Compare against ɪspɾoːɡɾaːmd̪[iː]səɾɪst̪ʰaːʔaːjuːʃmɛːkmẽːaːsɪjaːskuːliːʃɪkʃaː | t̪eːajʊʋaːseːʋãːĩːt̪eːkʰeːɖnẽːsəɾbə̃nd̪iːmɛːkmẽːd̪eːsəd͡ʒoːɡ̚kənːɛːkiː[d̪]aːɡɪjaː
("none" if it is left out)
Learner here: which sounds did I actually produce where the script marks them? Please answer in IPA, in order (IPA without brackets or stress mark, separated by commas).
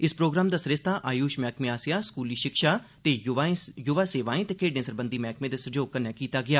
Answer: aː, t̪